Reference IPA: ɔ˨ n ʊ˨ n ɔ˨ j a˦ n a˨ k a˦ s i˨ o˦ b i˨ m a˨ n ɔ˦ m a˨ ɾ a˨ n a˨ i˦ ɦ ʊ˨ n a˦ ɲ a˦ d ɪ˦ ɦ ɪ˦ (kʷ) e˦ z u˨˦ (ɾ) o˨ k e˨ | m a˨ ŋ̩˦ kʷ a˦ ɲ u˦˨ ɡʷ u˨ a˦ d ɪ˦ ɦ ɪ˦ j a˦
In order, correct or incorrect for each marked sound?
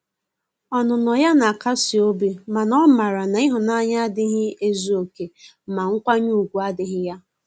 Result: incorrect, incorrect

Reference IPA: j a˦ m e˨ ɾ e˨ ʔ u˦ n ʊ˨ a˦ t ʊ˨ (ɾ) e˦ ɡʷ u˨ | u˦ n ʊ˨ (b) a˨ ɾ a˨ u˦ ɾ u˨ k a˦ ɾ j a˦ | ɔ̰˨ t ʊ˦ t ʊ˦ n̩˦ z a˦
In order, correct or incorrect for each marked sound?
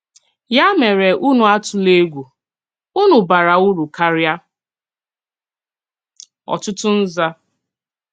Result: incorrect, correct

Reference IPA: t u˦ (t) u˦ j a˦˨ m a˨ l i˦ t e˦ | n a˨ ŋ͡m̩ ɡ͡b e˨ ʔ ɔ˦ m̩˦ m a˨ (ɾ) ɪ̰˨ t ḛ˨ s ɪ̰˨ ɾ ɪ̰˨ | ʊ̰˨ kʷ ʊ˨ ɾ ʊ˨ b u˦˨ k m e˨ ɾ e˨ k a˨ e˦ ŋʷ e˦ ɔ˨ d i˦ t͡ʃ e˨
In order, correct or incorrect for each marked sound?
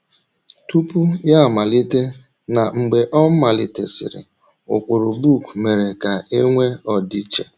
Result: incorrect, incorrect

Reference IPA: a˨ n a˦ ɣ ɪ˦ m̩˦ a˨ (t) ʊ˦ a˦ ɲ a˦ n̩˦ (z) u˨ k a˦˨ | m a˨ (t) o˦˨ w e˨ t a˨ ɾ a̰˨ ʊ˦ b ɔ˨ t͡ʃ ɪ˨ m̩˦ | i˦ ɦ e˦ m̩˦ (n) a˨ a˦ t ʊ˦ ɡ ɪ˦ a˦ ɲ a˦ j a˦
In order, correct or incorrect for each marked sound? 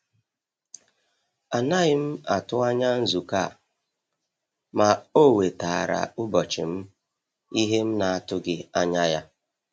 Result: correct, correct, incorrect, correct

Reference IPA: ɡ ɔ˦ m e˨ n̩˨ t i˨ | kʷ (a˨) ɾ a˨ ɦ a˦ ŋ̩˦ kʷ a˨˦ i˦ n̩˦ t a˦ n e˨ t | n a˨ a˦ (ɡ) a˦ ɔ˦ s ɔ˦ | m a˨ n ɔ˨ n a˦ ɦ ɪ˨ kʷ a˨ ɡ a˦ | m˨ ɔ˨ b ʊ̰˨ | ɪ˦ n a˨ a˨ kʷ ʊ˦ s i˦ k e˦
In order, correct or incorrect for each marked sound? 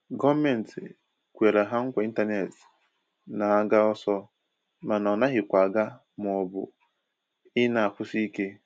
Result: incorrect, correct

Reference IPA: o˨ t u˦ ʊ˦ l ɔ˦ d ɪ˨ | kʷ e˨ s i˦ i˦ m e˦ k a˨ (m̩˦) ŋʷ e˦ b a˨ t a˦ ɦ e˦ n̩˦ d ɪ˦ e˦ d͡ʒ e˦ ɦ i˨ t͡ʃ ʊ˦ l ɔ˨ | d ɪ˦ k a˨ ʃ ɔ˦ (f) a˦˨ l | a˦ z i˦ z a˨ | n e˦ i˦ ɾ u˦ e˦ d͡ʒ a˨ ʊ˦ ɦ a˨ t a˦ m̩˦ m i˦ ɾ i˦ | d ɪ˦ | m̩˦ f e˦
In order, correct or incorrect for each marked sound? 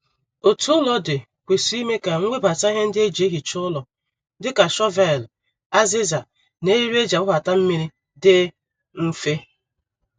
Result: incorrect, incorrect

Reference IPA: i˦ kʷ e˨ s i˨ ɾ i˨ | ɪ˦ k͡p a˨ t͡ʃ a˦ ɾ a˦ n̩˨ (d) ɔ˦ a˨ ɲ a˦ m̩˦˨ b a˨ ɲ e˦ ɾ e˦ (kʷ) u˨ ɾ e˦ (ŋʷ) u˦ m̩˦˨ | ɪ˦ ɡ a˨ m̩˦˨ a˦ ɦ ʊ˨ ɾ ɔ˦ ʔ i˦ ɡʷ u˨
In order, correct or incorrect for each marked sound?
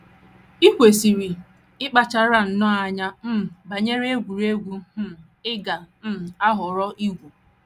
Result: incorrect, incorrect, incorrect

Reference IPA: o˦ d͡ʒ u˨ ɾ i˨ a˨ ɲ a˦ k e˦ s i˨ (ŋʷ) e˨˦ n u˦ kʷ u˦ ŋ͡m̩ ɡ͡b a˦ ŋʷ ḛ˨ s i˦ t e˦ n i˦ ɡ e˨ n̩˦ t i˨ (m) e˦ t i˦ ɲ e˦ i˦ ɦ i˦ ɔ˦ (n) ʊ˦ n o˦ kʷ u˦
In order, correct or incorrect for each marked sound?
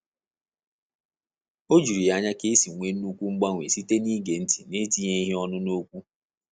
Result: correct, incorrect, correct

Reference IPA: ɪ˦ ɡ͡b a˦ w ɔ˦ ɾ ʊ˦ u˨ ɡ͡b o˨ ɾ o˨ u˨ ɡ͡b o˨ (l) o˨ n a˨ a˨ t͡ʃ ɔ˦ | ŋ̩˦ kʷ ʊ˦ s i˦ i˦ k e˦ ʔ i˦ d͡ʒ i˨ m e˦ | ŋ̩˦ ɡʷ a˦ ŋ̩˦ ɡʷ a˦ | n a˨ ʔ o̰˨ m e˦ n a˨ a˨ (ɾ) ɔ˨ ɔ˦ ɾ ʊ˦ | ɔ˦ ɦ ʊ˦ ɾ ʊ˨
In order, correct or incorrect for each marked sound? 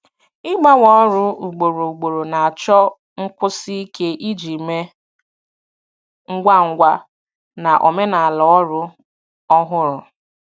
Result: incorrect, incorrect

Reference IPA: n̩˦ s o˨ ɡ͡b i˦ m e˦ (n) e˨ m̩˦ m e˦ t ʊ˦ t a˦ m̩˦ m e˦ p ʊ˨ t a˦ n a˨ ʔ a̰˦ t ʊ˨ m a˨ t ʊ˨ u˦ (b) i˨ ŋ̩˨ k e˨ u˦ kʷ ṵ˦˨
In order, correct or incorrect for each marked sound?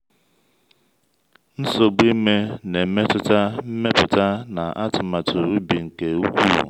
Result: correct, correct

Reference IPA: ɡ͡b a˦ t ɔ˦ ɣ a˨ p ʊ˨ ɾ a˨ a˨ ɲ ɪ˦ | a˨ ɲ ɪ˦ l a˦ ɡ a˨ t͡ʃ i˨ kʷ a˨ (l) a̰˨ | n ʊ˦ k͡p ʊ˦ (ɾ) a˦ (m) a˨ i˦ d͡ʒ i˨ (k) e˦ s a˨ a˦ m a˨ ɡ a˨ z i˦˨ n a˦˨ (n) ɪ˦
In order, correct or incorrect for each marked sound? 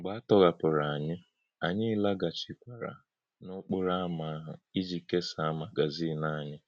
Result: incorrect, correct, correct, correct, incorrect

